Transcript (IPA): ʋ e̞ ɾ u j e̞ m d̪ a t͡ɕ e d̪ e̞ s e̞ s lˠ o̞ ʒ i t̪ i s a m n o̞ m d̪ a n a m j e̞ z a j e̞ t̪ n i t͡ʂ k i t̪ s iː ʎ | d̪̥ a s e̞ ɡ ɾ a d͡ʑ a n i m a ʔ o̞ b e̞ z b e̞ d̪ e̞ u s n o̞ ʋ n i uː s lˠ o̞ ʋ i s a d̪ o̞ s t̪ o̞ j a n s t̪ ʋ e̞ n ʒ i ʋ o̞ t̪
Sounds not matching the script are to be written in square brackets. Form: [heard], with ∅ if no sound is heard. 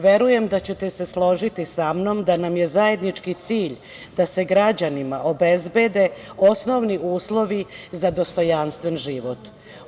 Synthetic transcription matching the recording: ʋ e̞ ɾ u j e̞ m d̪ a t͡ɕ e [t̪] e̞ s e̞ s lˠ o̞ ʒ i t̪ i s a m n o̞ m d̪ a n a m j e̞ z a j e̞ [d̪] n i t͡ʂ k i t̪ s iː ʎ | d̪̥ a s e̞ ɡ ɾ a d͡ʑ a n i m a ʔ o̞ b e̞ z b e̞ d̪ e̞ [o] s n o̞ ʋ n i uː s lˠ o̞ ʋ i [z] a d̪ o̞ s t̪ o̞ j a n s t̪ ʋ e̞ n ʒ i ʋ o̞ t̪